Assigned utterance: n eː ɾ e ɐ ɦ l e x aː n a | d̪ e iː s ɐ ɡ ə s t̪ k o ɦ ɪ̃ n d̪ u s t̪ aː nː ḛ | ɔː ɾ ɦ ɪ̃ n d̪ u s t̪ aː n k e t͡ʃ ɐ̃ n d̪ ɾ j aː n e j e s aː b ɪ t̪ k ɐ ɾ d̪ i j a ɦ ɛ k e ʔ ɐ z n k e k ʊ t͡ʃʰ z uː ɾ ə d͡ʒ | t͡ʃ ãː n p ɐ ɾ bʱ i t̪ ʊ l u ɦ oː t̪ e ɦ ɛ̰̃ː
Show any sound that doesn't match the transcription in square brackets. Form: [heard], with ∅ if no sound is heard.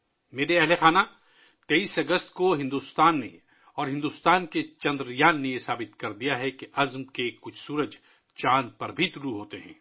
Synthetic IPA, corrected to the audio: [m] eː ɾ e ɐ ɦ l e x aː n a | [t̪] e iː s ɐ ɡ ə s t̪ k o ɦ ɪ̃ n d̪ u s t̪ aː nː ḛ | ɔː ɾ ɦ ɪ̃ n d̪ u s t̪ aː n k e t͡ʃ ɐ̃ n d̪ ɾ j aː [nː] e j e s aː b ɪ t̪ k ɐ ɾ d̪ i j a ɦ ɛ k e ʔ ɐ z [m] k e k ʊ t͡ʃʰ [s] uː ɾ ə d͡ʒ | t͡ʃ [aː] n p ɐ ɾ bʱ i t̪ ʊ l u ɦ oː t̪ e ɦ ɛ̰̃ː